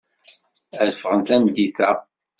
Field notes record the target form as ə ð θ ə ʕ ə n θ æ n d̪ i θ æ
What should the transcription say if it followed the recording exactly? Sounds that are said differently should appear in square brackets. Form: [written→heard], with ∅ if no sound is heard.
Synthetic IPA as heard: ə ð [θ→f] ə [ʕ→ʁ] ə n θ æ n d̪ i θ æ